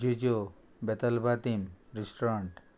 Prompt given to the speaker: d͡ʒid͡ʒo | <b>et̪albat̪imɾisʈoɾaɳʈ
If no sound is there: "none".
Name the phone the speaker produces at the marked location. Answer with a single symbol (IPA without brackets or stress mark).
b